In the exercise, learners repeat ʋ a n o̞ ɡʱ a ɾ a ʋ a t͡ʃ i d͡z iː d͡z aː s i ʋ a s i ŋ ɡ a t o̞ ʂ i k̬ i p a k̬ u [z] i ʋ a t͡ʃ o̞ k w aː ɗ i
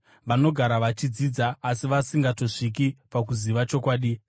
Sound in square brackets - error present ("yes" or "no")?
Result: no